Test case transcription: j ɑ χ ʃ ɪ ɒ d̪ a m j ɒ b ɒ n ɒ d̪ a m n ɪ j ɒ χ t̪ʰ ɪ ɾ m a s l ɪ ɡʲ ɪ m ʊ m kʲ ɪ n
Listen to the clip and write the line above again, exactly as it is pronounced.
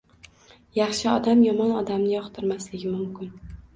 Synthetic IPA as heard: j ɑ χ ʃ ɪ ɒ d̪ a m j ɒ m ɒ n ɒ d̪ a m n ɪ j ɒ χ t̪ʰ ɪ ɾ m a s l ɪ ɡʲ ɪ m ʊ m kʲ ɪ n